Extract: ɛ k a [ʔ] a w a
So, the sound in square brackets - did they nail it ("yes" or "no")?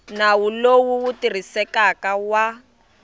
no